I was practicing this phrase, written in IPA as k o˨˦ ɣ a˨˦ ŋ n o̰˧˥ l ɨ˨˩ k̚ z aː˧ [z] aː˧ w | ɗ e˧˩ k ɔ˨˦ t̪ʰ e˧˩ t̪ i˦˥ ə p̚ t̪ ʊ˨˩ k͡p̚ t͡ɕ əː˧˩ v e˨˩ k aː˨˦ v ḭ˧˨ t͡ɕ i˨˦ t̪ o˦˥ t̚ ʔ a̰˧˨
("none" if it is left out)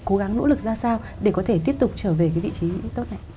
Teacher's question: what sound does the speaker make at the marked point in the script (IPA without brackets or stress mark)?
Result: s